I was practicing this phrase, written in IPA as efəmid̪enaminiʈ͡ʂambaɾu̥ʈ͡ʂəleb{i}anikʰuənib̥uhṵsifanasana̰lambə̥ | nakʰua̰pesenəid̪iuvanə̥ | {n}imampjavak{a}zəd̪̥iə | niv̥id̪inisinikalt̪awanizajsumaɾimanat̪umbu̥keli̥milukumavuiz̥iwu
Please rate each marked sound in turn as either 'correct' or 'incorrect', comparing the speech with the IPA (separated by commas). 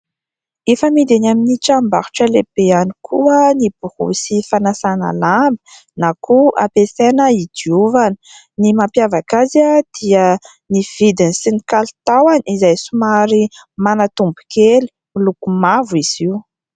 incorrect, correct, correct